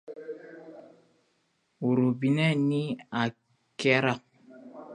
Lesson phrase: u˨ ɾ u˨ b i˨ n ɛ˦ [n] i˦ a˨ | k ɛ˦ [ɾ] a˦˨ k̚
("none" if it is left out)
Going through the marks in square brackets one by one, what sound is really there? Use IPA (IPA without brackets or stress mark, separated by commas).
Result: n, ɾ